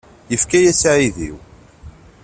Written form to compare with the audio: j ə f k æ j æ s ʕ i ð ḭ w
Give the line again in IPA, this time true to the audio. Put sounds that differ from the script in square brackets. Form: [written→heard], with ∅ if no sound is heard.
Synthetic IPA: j ə f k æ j æ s ʕ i ð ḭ w